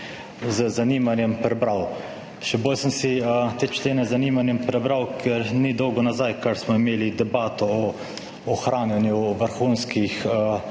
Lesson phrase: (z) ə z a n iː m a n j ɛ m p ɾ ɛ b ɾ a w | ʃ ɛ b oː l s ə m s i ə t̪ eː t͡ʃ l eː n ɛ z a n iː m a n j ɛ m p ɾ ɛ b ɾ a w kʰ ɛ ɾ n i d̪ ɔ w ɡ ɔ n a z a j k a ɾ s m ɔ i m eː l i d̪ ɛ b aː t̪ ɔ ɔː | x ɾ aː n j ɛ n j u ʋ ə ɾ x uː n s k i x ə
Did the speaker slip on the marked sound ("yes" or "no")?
no